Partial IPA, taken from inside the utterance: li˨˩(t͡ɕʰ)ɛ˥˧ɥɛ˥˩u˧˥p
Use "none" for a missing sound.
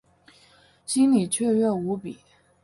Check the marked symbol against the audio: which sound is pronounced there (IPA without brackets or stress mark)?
t͡ɕʰ